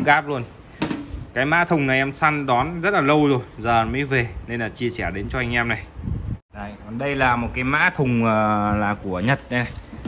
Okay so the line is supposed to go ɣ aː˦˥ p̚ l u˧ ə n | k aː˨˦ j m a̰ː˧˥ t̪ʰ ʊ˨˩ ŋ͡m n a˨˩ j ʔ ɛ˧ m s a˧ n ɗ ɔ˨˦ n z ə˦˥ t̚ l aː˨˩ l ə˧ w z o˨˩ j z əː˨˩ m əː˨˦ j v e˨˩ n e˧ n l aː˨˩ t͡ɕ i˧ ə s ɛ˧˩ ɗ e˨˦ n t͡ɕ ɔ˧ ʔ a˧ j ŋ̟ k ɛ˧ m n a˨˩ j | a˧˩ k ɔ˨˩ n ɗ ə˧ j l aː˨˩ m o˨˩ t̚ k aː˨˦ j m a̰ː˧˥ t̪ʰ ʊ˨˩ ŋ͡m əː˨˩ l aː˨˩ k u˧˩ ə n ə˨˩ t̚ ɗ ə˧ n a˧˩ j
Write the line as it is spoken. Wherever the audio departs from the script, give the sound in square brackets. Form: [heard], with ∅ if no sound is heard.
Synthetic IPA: ɣ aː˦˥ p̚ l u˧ ə n | k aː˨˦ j m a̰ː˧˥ t̪ʰ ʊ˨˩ ŋ͡m n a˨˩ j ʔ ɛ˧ m s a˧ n ɗ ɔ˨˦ n z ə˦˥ t̚ l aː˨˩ l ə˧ w z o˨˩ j z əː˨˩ m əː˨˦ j v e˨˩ n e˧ n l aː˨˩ t͡ɕ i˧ ə s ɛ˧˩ ɗ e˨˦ n t͡ɕ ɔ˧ ʔ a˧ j ŋ̟ [ʔ] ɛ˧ m n a˨˩ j | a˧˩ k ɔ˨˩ n ɗ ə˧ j l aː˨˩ m o˨˩ t̚ k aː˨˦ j m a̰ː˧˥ t̪ʰ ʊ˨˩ ŋ͡m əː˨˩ l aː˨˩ k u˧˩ ə [ɲ] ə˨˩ t̚ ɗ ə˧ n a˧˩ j